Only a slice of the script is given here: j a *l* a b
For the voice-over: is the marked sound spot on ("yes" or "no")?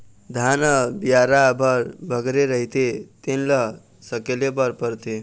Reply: no